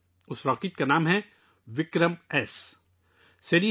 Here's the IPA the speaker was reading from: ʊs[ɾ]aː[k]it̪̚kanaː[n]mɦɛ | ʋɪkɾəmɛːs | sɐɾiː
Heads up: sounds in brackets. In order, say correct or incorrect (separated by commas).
correct, correct, incorrect